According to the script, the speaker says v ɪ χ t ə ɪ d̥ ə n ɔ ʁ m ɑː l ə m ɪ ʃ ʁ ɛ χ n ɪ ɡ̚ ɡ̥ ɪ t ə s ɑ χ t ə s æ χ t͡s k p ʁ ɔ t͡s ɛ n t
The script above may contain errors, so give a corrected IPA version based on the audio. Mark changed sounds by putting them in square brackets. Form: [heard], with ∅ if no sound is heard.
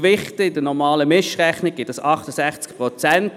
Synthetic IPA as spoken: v ɪ χ t ə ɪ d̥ ə n ɔ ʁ m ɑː l ə m ɪ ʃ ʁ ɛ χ n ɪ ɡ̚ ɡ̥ ɪ t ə s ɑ χ t ə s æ χ t͡s k p ʁ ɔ t͡s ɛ n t